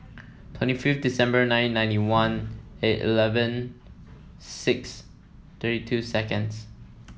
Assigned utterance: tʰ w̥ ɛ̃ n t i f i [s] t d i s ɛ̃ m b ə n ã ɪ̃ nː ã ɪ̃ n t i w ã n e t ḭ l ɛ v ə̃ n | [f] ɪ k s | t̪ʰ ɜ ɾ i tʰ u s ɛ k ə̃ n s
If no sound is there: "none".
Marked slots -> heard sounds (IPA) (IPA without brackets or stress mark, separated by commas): f, s